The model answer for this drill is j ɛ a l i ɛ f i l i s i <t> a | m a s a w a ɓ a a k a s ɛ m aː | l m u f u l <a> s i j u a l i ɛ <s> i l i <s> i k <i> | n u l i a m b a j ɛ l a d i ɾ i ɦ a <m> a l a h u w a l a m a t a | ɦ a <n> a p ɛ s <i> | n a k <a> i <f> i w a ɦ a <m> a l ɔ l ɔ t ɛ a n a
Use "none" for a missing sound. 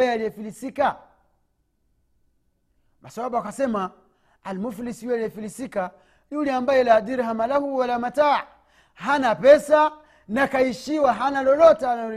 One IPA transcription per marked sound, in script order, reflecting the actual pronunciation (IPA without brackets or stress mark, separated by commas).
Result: k, i, f, s, a, m, n, a, a, ʃ, n